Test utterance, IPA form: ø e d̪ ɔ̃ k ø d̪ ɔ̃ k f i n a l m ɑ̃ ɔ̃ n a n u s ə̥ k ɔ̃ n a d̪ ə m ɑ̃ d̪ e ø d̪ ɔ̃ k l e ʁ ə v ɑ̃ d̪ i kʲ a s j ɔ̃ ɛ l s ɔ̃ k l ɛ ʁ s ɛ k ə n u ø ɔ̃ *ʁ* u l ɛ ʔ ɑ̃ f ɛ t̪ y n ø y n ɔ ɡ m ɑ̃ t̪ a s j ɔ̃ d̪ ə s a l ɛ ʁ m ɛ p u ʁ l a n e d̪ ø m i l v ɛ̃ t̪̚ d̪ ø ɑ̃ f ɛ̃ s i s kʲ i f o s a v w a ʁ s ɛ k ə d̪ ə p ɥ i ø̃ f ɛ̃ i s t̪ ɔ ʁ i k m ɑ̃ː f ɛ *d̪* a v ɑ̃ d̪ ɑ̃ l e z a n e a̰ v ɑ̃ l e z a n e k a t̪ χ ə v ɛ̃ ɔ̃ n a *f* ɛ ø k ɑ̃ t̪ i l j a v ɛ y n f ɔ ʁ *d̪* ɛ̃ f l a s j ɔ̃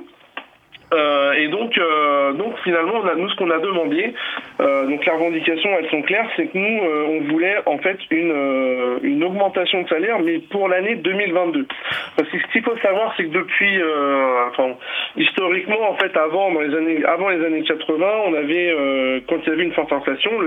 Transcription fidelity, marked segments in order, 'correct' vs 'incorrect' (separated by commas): incorrect, incorrect, incorrect, incorrect